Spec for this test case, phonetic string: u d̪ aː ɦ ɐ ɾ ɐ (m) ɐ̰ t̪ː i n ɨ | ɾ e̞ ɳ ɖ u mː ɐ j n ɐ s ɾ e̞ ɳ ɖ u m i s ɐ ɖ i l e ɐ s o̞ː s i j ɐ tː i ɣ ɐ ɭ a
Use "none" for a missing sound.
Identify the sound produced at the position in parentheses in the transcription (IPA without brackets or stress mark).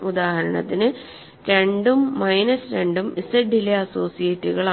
ɳ